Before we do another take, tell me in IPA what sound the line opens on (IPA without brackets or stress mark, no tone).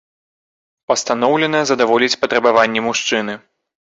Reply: p